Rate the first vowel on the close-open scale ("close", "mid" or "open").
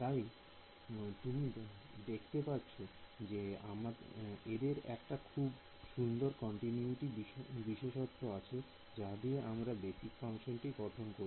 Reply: open